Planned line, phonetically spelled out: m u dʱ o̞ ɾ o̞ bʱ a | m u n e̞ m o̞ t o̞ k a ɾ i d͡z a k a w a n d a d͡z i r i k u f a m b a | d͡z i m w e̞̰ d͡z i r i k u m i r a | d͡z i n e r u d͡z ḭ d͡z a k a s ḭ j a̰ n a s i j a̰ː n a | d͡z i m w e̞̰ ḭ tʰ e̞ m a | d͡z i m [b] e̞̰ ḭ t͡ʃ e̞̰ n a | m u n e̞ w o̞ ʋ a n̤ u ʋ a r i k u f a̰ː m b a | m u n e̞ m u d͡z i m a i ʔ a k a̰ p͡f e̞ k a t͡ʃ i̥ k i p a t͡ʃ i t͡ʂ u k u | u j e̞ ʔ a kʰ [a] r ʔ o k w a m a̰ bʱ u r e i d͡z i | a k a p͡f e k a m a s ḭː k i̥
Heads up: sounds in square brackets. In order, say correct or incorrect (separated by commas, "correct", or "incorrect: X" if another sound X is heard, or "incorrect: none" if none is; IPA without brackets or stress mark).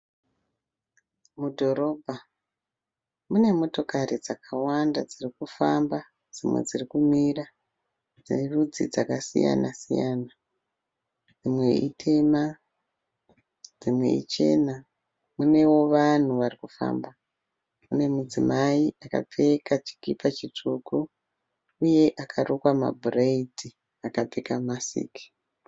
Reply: incorrect: w, correct